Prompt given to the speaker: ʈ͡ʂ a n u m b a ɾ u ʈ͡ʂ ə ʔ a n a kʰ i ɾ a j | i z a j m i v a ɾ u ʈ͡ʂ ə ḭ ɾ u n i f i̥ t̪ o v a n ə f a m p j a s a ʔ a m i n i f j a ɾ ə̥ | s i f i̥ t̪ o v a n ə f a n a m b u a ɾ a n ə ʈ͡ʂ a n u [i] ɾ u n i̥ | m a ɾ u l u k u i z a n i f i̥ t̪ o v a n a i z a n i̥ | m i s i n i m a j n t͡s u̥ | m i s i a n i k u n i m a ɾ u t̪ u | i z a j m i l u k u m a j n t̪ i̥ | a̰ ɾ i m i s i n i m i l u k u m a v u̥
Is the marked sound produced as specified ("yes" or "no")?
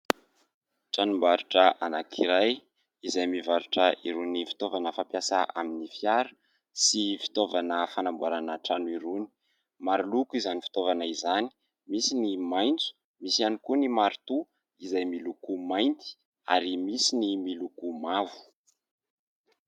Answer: yes